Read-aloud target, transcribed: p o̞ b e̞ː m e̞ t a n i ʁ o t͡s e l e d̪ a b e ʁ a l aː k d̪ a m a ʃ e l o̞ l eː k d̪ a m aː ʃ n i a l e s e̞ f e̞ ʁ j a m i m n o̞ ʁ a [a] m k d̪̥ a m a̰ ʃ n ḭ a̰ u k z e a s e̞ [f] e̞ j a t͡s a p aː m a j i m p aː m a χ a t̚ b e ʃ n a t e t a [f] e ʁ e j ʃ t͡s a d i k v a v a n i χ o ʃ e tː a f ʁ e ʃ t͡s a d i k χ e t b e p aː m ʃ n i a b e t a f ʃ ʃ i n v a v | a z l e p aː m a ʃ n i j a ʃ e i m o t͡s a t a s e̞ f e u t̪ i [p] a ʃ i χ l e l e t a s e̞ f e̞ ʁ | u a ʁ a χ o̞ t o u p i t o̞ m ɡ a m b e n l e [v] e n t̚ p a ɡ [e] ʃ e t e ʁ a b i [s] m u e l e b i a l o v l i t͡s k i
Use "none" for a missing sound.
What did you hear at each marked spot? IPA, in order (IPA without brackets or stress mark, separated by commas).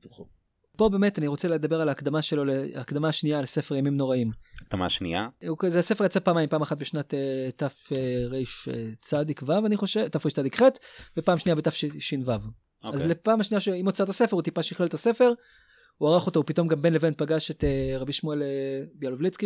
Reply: i, f, f, p, v, a, ʃ